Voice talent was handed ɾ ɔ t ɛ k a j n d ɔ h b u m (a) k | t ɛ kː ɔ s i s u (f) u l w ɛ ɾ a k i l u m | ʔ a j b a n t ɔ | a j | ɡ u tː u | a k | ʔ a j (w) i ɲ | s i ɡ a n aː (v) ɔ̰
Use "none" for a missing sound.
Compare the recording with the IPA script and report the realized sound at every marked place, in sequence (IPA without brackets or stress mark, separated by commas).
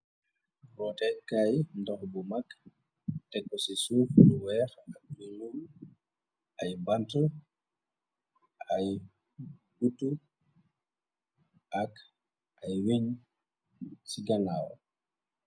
a, f, w, w